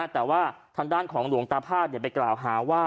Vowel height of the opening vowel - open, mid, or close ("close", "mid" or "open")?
mid